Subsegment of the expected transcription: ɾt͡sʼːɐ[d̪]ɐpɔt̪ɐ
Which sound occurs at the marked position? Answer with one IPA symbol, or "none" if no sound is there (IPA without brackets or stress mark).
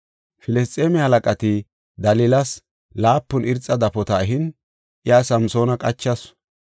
d̪